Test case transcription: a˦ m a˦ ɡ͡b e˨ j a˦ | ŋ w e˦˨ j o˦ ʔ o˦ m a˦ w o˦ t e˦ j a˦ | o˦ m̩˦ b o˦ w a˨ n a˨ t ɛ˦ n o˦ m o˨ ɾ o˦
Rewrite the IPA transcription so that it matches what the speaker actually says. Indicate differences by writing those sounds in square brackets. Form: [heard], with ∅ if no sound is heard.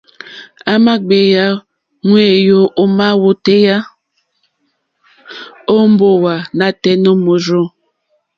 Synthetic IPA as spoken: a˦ m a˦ ɡ͡b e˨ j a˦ | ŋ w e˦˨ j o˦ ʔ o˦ m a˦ w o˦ t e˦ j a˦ | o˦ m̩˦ b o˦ w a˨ n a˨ t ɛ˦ n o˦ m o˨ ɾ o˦

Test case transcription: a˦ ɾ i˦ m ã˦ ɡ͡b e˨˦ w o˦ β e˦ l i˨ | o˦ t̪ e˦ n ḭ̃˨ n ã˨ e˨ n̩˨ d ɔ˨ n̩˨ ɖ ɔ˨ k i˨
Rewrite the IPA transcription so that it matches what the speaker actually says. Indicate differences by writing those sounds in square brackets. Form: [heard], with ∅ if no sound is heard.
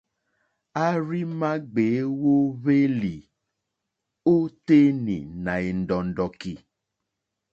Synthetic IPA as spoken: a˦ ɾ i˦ m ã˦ ɡ͡b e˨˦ w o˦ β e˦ l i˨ | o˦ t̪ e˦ n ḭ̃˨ n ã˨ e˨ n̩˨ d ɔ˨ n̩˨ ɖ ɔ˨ k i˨

